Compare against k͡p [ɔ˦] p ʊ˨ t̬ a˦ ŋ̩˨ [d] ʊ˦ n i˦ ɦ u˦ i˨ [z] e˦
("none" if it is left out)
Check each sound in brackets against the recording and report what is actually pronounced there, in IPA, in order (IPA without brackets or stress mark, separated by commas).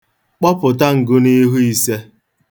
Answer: ɔ˦, ɡ, s